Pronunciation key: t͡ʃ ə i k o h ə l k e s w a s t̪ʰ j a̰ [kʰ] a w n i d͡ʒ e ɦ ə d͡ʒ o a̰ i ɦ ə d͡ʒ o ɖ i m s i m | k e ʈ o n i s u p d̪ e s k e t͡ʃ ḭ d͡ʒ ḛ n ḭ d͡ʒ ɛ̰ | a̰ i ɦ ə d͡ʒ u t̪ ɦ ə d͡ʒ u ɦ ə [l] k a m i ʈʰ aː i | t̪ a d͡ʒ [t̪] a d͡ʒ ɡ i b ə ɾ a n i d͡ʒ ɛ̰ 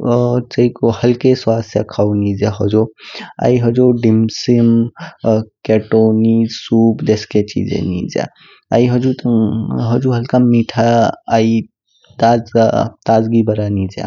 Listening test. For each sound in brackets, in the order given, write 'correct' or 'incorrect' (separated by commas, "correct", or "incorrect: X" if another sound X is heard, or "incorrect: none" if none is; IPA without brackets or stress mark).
correct, correct, correct